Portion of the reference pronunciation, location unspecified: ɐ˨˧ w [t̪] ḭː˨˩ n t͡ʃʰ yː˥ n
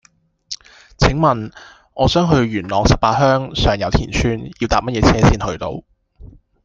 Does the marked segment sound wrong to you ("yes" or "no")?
yes